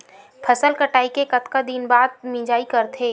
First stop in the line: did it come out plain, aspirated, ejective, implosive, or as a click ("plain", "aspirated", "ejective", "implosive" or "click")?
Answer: aspirated